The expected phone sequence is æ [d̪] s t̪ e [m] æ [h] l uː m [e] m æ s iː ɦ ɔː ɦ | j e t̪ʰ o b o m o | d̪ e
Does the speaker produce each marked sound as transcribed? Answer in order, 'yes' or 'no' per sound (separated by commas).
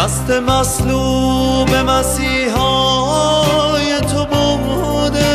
no, yes, no, yes